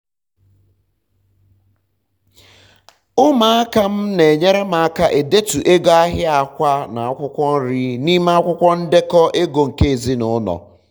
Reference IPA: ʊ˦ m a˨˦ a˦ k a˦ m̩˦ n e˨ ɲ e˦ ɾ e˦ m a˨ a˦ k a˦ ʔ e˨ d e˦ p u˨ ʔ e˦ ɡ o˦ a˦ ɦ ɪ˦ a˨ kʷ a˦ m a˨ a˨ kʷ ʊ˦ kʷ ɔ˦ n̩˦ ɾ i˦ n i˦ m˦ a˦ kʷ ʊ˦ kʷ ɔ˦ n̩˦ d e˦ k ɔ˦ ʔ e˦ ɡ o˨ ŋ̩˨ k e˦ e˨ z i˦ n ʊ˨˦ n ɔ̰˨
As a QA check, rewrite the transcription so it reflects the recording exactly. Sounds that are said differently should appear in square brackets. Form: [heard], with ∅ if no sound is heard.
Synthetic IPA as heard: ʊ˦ m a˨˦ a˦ k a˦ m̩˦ n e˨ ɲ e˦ ɾ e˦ m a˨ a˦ k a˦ ʔ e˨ d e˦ [t] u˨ ʔ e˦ ɡ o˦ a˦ ɦ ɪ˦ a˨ kʷ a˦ [n] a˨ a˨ kʷ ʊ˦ kʷ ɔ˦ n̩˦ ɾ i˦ n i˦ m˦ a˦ kʷ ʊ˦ kʷ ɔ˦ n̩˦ d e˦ k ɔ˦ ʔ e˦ ɡ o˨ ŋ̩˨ k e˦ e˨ z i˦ n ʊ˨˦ n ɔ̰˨